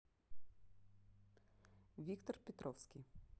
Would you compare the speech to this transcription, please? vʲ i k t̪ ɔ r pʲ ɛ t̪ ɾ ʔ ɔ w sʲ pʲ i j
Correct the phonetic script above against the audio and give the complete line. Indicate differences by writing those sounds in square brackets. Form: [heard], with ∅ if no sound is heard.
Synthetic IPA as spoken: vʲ i k t̪ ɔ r pʲ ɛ t̪ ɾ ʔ ɔ w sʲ [kʲ] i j